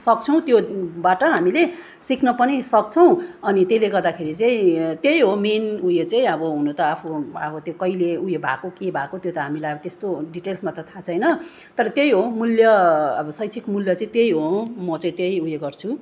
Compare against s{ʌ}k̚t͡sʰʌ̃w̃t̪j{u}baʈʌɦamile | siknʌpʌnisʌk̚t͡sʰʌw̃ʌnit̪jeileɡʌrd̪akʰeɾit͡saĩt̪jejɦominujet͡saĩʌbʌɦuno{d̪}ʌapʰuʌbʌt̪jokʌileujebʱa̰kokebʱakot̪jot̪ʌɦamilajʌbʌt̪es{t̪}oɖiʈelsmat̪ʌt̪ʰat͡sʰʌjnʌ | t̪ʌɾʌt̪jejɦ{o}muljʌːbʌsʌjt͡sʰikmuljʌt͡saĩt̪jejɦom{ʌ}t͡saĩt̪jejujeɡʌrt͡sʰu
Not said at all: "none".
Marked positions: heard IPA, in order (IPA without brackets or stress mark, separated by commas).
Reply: ʌ, o, t̪, t̪, o, ʌ